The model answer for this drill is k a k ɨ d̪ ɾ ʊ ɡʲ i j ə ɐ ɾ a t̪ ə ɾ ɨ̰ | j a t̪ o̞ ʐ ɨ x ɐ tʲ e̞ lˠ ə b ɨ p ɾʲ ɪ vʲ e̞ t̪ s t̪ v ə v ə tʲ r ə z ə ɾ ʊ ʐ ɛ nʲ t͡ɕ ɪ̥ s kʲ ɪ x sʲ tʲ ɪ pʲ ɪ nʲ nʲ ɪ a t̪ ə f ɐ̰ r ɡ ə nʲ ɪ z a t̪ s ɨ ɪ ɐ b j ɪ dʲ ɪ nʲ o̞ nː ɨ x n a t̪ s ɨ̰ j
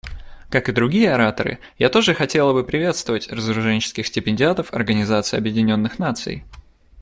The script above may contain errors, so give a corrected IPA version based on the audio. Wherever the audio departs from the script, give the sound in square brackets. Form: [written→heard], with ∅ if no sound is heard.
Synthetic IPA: k a k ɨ d̪ ɾ ʊ ɡʲ i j ə ɐ ɾ a t̪ ə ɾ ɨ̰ | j a t̪ o̞ ʐ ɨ x ɐ tʲ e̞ lˠ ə b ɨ p ɾʲ ɪ vʲ e̞ t̪ s t̪ v ə v ə tʲ r ə z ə ɾ ʊ ʐ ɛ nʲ t͡ɕ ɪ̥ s kʲ ɪ x sʲ tʲ ɪ pʲ ɪ nʲ [nʲ→dʲ] ɪ a t̪ ə f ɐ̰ r ɡ ə nʲ ɪ z a t̪ s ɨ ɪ ɐ b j ɪ dʲ ɪ nʲ o̞ nː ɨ x n a t̪ s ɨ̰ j